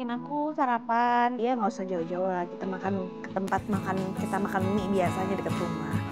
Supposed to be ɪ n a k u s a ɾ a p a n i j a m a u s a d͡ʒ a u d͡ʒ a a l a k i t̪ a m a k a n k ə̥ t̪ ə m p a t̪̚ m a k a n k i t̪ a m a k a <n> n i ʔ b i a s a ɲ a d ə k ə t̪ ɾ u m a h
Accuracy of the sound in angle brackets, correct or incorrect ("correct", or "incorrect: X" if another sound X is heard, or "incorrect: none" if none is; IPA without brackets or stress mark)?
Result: correct